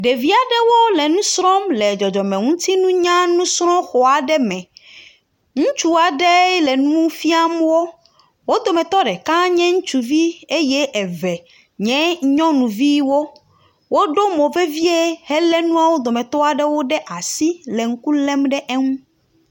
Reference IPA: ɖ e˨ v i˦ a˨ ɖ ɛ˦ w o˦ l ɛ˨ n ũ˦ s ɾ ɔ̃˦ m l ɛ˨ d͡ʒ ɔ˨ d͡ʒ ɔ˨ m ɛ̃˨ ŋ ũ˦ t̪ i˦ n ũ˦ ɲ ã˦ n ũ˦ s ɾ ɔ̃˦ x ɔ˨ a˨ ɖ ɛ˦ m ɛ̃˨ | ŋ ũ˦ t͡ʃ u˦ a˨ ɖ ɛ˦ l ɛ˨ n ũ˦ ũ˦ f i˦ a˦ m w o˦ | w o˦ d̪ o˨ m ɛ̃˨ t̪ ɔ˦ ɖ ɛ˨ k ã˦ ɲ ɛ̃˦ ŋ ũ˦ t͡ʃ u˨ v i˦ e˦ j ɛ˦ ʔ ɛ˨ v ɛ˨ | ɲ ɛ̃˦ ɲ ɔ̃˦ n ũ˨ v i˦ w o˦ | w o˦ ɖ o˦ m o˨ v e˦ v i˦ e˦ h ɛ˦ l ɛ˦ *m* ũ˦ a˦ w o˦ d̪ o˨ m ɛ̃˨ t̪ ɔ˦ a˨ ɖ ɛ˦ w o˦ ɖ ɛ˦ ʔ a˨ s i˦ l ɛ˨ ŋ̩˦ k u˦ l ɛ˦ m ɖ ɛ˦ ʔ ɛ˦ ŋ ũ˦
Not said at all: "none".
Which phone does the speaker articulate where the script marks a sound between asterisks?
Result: n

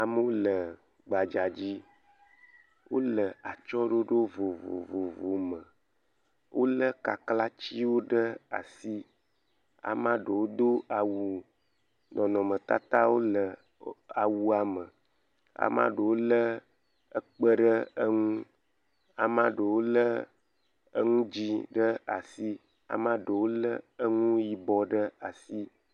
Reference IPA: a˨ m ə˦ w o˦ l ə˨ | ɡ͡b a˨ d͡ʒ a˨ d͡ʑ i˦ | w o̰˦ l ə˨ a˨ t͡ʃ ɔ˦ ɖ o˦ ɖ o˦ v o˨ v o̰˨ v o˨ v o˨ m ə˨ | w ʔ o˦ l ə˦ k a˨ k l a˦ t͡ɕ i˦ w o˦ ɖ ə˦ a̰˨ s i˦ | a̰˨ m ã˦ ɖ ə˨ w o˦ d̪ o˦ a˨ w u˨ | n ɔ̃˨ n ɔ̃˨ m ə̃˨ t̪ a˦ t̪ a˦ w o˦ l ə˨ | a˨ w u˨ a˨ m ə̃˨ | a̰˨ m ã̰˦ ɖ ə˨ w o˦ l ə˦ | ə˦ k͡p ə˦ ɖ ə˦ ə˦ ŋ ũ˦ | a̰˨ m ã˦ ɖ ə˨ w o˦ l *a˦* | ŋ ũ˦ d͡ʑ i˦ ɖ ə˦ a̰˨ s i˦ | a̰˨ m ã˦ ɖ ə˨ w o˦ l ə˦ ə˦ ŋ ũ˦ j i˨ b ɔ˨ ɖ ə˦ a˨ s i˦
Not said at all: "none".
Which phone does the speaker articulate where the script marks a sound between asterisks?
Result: ə˦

